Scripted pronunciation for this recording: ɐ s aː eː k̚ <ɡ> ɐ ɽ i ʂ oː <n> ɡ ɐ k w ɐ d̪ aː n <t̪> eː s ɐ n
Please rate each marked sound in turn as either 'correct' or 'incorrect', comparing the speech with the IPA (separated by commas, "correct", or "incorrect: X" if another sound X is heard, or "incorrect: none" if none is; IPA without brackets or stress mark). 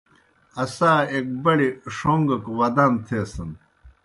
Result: incorrect: b, incorrect: ŋ, incorrect: t̪ʰ